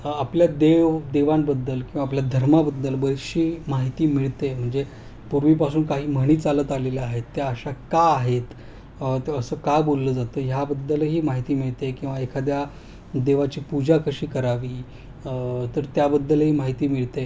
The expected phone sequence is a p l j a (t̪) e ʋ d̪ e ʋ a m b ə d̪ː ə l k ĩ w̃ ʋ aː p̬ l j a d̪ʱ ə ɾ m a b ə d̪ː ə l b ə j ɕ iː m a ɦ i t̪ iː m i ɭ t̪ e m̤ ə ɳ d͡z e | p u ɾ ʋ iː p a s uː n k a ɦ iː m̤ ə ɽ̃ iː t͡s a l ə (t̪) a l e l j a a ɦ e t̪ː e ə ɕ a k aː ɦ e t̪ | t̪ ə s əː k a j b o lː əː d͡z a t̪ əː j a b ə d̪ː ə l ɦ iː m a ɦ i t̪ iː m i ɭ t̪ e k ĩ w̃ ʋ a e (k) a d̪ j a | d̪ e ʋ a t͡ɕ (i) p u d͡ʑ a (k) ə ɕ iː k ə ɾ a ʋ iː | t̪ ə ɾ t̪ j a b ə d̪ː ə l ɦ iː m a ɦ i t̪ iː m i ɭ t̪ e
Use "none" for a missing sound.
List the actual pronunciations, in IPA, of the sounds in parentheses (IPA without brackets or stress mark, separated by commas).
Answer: d̪, t̪, kʰ, iː, k